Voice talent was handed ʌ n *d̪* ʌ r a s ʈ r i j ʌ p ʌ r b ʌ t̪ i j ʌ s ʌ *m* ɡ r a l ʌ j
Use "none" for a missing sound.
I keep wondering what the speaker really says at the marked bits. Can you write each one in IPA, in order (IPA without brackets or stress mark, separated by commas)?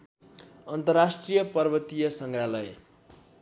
t̪, ŋ